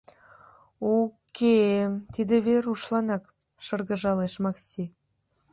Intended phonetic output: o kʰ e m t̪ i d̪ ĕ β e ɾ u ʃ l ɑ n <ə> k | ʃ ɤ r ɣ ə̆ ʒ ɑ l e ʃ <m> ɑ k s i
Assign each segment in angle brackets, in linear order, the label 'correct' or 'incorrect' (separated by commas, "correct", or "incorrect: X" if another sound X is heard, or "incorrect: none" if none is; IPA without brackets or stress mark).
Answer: incorrect: ɑ, correct